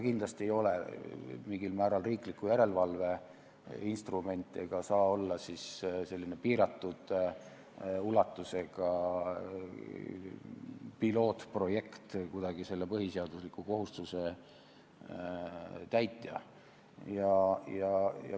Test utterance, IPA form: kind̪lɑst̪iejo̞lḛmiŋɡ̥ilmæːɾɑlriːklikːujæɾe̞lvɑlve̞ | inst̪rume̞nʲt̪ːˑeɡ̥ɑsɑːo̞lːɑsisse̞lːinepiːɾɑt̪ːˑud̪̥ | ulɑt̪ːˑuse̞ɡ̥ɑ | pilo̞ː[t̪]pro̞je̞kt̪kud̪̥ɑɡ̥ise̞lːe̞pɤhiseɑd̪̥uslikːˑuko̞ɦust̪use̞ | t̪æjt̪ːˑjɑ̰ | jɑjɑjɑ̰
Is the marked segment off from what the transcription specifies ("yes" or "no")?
no